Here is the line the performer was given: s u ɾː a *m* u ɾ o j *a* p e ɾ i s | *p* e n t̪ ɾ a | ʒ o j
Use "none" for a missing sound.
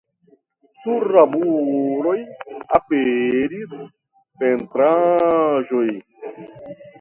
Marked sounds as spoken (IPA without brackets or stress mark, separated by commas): b, a, p